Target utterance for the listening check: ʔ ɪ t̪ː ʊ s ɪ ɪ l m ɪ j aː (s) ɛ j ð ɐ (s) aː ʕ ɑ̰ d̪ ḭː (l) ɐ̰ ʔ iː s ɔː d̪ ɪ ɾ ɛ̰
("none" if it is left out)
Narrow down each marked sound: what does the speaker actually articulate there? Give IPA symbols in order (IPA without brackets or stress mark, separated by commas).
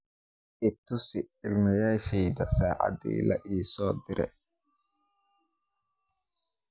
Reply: ʃ, s, l